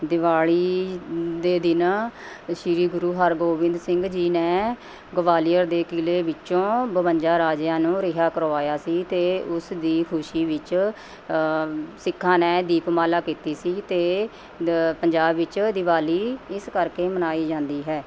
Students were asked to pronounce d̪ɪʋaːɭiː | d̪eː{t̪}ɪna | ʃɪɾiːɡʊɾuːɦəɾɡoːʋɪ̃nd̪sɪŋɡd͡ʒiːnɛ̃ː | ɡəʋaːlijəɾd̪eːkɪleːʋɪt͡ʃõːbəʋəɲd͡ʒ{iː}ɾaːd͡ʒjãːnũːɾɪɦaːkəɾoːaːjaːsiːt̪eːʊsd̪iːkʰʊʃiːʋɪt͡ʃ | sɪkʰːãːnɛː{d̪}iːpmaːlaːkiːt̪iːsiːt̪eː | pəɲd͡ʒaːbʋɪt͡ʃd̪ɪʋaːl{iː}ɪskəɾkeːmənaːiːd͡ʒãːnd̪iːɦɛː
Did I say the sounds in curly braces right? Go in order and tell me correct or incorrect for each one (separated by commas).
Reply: incorrect, incorrect, correct, correct